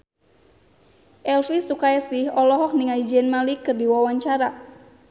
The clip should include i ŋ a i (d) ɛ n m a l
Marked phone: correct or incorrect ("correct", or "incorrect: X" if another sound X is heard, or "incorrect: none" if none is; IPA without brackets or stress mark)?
incorrect: d͡ʒ